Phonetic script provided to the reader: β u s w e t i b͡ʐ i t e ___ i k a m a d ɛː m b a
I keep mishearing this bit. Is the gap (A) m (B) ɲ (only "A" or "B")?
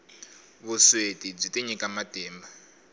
B